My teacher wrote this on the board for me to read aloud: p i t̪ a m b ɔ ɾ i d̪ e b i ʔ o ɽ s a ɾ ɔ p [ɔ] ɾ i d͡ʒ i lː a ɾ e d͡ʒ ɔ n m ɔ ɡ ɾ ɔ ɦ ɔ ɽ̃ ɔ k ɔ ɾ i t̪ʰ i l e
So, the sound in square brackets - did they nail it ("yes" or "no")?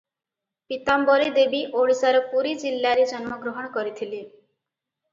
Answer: no